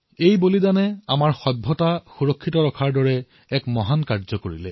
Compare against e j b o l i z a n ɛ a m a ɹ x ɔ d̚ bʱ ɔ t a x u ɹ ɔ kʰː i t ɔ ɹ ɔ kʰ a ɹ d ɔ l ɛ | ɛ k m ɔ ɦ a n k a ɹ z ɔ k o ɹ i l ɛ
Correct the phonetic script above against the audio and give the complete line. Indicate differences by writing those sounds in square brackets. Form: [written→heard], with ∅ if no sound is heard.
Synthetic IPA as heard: e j b o l i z a n ɛ a m a ɹ x ɔ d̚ bʱ ɔ t a x u ɹ ɔ kʰː i t ɔ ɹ ɔ kʰ a ɹ d ɔ [l→ɹ] ɛ | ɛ k m ɔ ɦ a n k a ɹ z ɔ k o ɹ i l ɛ